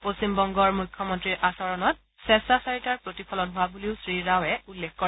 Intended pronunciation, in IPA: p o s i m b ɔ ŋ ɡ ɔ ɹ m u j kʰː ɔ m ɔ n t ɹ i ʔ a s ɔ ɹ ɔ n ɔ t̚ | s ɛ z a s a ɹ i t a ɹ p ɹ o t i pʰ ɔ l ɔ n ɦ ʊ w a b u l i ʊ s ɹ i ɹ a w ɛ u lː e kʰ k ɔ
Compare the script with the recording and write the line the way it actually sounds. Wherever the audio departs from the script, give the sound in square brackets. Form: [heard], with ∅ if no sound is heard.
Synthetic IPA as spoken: p o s i m b ɔ ŋ ɡ ɔ ɹ m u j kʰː ɔ m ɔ n t ɹ i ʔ a s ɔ ɹ ɔ n ɔ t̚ | s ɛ [s] a s a ɹ i t a ɹ p ɹ o t i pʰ ɔ l ɔ n ɦ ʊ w a b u l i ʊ s ɹ i ɹ a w ɛ u lː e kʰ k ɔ

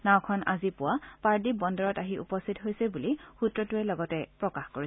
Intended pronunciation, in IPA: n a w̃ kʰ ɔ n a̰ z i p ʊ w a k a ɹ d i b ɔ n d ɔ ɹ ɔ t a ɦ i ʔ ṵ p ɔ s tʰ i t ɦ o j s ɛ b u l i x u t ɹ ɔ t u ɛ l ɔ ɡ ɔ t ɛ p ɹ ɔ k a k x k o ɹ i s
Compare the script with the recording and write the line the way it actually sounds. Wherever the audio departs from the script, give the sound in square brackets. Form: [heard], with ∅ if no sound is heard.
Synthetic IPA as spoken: n a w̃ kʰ ɔ n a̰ z i p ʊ w a [p] a ɹ d i b ɔ n d ɔ ɹ ɔ t a ɦ i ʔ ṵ p ɔ s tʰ i t ɦ o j s ɛ b u l i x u t ɹ ɔ t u ɛ l ɔ ɡ ɔ t ɛ p ɹ ɔ k a [∅] x k o ɹ i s

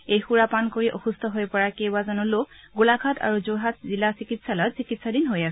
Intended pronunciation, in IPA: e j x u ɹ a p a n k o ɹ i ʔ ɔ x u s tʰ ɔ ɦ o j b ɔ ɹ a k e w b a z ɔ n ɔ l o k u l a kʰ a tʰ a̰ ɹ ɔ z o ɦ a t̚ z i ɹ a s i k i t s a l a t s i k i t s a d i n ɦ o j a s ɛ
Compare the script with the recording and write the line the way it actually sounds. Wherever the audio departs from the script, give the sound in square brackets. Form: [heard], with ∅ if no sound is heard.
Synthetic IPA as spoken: e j x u ɹ a p a n k o ɹ i ʔ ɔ x u s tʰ ɔ ɦ o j [p] ɔ ɹ a k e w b a z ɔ n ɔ l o [ɡ] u l a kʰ a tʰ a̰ ɹ [u] z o ɦ a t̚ z i [l] a s i k i t s a l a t s i k i t s a d i n ɦ o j a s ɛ

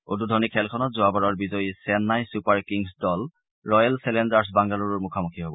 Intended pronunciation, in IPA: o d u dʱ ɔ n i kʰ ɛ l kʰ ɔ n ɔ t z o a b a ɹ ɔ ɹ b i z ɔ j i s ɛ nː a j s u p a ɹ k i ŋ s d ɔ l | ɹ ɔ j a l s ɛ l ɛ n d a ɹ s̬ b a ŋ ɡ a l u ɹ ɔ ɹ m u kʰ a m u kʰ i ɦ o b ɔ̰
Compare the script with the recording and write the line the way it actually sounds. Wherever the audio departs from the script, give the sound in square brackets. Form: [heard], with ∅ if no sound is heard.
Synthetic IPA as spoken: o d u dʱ ɔ n i kʰ ɛ l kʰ ɔ n ɔ t z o a b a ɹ ɔ ɹ b i z ɔ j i s ɛ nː a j s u p a ɹ k i ŋ s d ɔ l | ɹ ɔ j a l s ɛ l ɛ n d a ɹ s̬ b a ŋ ɡ a l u ɹ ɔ ɹ m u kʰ a m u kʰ i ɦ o b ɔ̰

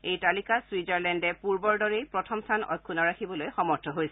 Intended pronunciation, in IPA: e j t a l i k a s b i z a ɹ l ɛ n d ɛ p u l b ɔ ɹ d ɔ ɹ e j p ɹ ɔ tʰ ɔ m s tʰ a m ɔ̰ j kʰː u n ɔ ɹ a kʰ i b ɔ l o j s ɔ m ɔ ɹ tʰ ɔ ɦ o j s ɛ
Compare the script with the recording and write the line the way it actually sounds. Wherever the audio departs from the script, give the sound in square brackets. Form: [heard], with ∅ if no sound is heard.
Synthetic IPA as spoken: e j t a l i k a s [w] i z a ɹ l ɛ n d ɛ p u [ɹ] b ɔ ɹ d ɔ ɹ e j p ɹ ɔ tʰ ɔ m s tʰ a [n] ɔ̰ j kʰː u n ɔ ɹ a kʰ i b ɔ l o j [x] ɔ m ɔ ɹ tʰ ɔ ɦ o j s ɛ

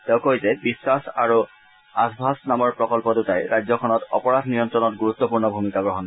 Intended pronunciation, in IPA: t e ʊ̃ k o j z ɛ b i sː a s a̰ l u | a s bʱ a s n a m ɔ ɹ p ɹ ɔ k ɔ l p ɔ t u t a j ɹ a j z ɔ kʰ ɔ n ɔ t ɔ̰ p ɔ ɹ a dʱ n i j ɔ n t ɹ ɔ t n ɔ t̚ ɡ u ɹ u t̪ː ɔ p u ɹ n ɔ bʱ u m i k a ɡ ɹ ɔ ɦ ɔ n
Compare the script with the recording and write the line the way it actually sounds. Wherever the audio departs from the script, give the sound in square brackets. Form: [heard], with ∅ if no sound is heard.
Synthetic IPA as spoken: t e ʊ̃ k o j z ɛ b i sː a s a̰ [ɹ] u | a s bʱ a s n a m ɔ ɹ p ɹ ɔ k ɔ l p ɔ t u t a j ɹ a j z ɔ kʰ ɔ n ɔ t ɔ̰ p ɔ ɹ a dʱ n i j ɔ n t ɹ ɔ [∅] n ɔ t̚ ɡ u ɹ u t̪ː ɔ p u ɹ n ɔ bʱ u m i k a ɡ ɹ ɔ ɦ ɔ n

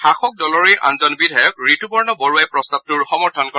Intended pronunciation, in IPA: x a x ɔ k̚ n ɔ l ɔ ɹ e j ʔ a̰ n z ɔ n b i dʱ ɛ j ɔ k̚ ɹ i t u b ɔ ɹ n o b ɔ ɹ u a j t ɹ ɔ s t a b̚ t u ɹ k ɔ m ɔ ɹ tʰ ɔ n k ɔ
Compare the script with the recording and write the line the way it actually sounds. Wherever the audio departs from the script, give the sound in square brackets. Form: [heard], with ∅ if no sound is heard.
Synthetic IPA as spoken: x a x ɔ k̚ [d] ɔ l ɔ ɹ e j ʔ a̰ n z ɔ n b i dʱ [a] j ɔ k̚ ɹ i t u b ɔ ɹ n [ɔ] b ɔ ɹ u a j [p] ɹ ɔ s t a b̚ t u ɹ [x] ɔ m ɔ ɹ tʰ ɔ n k ɔ

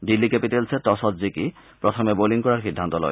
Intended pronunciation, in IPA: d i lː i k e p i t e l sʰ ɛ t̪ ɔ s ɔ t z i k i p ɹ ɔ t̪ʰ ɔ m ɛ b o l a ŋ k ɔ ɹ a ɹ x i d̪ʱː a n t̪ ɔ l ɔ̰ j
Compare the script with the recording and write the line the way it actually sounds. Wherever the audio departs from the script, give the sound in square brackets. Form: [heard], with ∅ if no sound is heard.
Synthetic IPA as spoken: d i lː i k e p i t e l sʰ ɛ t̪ ɔ s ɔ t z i k i p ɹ ɔ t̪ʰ ɔ m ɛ b o l [i] ŋ k ɔ ɹ a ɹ x i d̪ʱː a n t̪ ɔ l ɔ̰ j

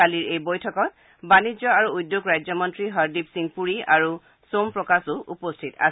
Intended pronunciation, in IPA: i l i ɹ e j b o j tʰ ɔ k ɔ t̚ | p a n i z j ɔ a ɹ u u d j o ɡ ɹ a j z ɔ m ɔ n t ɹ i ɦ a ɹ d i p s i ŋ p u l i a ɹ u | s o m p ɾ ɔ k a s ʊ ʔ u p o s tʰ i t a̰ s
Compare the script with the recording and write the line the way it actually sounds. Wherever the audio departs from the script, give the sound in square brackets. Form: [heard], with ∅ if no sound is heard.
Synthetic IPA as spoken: [a] l i ɹ e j b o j tʰ ɔ k ɔ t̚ | [b] a n i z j ɔ a ɹ u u d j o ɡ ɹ a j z ɔ m ɔ n t ɹ i ɦ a ɹ d i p s i ŋ p u [ɹ] i a ɹ u | s o m p [ɹ] ɔ k a s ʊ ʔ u p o s tʰ i t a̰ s

